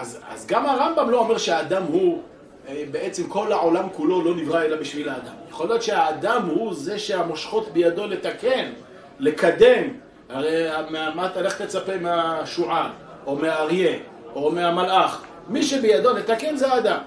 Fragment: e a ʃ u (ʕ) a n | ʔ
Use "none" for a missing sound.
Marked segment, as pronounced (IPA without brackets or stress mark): ʕ